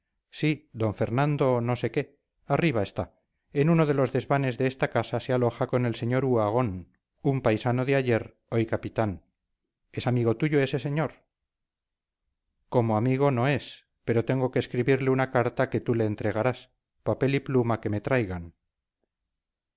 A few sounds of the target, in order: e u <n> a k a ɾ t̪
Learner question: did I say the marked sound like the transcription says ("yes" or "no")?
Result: yes